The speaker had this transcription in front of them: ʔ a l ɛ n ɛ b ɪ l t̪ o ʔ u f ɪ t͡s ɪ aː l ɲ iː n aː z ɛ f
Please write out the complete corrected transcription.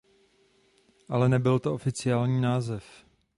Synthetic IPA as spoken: ʔ a l ɛ n ɛ b ɪ l t̪ o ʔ o f ɪ t͡s ɪ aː l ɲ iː n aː z ɛ f